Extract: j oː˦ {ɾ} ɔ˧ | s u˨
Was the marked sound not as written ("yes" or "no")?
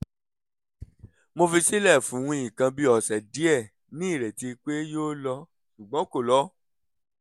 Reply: yes